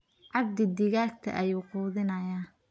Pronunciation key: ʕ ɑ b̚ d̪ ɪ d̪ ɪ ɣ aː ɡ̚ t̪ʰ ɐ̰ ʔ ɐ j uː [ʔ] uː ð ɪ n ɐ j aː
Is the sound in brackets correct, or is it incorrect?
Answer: incorrect